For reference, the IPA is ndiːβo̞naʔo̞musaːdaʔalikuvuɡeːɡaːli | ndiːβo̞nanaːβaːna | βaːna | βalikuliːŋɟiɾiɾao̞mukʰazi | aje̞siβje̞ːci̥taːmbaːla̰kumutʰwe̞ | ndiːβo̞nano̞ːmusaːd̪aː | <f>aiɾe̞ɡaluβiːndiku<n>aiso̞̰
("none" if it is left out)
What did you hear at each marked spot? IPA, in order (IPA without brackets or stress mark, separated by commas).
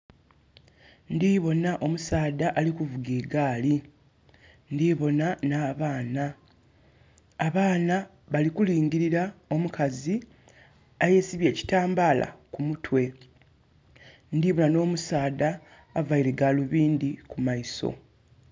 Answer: v, m